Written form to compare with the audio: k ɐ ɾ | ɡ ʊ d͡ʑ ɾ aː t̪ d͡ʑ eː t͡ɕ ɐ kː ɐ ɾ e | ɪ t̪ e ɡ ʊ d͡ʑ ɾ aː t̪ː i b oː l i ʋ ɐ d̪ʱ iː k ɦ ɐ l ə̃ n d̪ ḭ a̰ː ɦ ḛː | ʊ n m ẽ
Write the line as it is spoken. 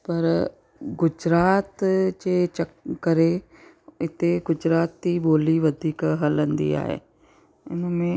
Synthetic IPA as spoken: p ɐ ɾ | ɡ ʊ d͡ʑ ɾ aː t̪ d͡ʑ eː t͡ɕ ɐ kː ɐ ɾ e | ɪ t̪ e ɡ ʊ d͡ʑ ɾ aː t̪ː i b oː l i ʋ ɐ d̪ʱ iː k ɦ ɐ l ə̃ n d̪ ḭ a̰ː ɦ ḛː | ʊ n m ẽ